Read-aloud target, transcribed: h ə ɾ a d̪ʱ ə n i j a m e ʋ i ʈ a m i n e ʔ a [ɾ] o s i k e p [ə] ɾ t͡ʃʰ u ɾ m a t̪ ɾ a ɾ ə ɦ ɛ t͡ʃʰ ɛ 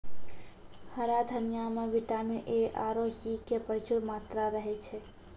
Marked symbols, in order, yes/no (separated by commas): yes, yes